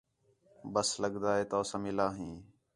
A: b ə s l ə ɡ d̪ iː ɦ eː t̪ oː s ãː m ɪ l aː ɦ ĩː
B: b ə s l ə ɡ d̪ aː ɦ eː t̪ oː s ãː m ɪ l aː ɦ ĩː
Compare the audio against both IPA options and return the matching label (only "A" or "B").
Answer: B